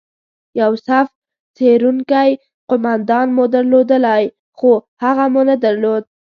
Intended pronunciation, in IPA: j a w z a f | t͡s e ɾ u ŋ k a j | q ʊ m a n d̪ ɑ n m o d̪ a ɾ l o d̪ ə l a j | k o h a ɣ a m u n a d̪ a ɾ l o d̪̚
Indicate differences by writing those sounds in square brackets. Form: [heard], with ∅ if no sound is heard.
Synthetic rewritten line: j a w [s] a f | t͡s e ɾ u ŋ k a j | q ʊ m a n d̪ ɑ n m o d̪ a ɾ l o d̪ ə l a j | [x] o h a ɣ a m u n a d̪ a ɾ l o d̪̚